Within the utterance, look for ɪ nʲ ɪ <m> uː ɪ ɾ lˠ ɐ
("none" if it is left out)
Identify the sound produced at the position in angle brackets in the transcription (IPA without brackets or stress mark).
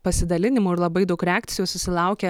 m